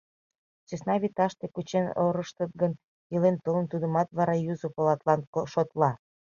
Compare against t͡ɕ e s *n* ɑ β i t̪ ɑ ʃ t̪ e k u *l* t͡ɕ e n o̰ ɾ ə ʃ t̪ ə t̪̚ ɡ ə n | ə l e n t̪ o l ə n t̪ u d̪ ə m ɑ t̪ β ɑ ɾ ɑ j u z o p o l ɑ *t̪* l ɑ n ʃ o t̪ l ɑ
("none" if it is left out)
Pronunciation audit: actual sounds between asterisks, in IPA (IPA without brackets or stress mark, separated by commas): n, none, t̪